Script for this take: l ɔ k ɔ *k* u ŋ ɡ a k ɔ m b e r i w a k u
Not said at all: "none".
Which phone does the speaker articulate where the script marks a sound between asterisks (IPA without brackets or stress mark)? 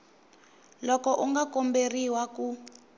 ʔ